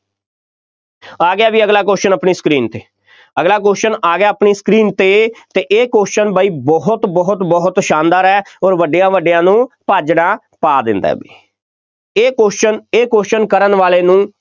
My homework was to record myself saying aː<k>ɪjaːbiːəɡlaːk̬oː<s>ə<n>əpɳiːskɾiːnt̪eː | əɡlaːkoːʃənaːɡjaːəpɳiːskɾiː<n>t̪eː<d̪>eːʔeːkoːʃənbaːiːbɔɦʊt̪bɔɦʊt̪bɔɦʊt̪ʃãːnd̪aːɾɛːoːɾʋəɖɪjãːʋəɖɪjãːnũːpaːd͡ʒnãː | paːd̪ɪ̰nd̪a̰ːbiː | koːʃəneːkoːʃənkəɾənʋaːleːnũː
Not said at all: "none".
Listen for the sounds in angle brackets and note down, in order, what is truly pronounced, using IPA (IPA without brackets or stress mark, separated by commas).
ɡ, ʃ, n, n, t̪